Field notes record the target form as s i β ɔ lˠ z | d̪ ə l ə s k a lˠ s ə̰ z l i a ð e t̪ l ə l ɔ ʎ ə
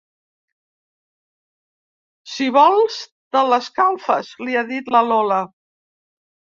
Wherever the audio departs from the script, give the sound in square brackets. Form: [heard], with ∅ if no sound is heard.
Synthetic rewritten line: s i β ɔ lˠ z | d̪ ə l ə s k a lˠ [f] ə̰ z l i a ð [i] t̪ l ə l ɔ [l] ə